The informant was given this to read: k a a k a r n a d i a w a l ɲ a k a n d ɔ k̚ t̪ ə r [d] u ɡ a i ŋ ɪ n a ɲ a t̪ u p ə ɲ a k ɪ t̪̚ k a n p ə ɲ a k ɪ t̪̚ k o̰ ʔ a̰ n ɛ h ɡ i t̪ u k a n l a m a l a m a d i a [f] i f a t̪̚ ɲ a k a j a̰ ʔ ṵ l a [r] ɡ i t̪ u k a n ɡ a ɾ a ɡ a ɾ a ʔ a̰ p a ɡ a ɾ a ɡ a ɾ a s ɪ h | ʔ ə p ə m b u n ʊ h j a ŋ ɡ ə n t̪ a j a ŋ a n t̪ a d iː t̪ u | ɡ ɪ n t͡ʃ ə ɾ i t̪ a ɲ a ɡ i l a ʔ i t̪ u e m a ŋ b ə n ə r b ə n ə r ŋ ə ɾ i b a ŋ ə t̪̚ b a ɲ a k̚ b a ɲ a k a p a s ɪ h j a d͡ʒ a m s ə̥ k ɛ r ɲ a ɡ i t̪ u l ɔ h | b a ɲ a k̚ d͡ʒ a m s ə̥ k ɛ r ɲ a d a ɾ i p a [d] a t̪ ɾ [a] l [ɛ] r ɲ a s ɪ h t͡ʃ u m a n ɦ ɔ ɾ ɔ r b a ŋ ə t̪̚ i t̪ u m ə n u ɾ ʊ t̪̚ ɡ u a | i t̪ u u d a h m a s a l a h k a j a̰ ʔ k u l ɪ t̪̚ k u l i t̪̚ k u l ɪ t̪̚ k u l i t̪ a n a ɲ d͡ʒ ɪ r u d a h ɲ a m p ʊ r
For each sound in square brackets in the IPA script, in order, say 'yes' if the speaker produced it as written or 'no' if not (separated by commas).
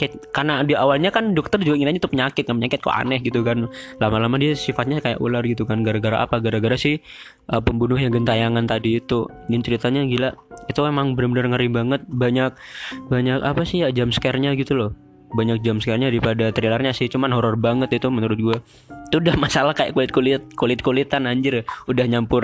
no, no, yes, yes, no, no